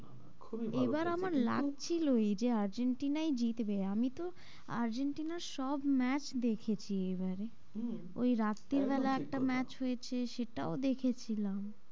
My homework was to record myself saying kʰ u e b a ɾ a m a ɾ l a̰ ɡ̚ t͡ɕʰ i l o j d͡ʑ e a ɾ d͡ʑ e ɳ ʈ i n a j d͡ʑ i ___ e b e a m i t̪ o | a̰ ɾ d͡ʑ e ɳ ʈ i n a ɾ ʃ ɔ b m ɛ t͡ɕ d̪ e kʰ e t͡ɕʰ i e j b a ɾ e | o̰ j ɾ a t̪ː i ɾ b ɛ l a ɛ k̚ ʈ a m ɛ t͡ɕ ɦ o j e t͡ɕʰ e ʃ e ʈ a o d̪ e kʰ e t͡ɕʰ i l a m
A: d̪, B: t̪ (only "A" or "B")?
B